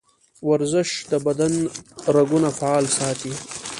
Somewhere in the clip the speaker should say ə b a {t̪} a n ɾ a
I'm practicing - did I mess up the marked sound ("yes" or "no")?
yes